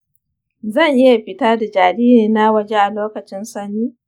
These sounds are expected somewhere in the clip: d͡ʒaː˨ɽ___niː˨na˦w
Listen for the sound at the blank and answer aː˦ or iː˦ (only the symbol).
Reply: iː˦